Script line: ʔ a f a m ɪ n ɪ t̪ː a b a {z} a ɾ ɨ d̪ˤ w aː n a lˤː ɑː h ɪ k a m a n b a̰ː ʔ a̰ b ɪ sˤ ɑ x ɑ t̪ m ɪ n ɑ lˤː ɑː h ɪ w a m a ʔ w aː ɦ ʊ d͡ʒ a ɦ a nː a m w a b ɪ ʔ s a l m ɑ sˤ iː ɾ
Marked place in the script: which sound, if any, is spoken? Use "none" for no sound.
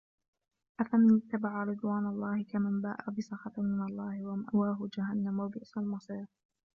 ʕ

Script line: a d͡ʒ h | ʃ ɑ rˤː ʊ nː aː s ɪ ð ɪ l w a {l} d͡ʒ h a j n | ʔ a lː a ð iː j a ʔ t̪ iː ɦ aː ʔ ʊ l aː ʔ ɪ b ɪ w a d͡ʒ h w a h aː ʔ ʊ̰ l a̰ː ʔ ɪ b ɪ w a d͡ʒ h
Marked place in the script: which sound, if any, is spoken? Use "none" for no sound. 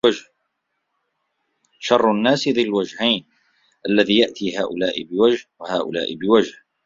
none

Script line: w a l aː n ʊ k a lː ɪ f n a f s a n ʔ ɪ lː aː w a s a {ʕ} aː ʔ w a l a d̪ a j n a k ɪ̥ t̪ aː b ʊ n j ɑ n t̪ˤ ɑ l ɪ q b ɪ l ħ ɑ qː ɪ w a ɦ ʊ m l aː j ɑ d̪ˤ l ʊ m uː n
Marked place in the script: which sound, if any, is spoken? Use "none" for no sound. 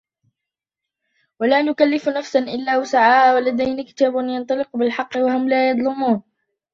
ʕ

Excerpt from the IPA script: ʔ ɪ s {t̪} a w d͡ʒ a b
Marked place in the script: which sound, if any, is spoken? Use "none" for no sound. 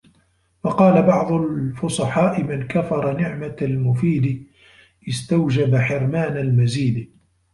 t̪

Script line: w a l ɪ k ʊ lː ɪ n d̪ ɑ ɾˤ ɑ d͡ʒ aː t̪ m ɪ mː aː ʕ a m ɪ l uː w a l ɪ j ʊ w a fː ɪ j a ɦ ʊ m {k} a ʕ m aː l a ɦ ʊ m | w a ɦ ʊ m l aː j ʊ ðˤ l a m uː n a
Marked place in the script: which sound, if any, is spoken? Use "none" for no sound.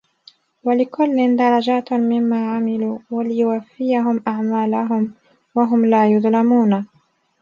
ʔ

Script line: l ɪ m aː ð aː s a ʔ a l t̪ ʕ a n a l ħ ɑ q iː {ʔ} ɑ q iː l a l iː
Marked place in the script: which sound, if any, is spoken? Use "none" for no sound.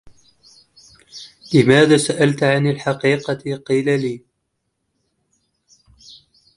q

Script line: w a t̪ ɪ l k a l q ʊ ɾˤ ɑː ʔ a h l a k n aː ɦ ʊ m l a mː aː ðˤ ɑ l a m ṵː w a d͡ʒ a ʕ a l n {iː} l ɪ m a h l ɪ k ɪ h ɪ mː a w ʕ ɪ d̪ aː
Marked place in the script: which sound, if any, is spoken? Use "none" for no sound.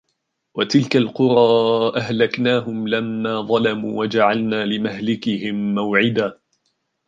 aː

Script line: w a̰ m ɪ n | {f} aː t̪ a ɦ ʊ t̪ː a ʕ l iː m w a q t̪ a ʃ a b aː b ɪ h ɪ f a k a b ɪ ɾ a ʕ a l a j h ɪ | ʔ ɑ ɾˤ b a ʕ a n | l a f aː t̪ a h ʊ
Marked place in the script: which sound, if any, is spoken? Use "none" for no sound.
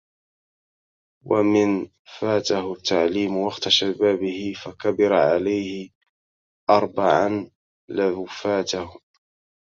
f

